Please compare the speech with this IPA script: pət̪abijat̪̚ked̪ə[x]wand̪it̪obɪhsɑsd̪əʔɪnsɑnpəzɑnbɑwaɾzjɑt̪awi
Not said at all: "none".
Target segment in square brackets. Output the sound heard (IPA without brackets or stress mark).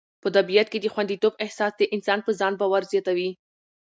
x